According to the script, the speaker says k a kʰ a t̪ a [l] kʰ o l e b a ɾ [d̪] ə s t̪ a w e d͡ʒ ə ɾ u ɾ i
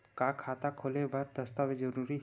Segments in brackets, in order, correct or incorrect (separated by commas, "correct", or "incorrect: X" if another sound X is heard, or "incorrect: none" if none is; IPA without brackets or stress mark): incorrect: none, correct